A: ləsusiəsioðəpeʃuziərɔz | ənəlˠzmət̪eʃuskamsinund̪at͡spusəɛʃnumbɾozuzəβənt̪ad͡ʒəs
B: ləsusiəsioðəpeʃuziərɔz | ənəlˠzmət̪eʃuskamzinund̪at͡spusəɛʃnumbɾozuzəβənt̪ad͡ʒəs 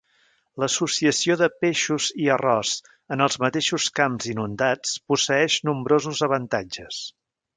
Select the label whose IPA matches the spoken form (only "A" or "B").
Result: B